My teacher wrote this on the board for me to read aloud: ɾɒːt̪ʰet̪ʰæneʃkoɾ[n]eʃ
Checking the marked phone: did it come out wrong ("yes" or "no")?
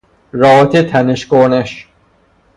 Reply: no